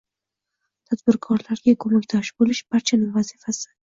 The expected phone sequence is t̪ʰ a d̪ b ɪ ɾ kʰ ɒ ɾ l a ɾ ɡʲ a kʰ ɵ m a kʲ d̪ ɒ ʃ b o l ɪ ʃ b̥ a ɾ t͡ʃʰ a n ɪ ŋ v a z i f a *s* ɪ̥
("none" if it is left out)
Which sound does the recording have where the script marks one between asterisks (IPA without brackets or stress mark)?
s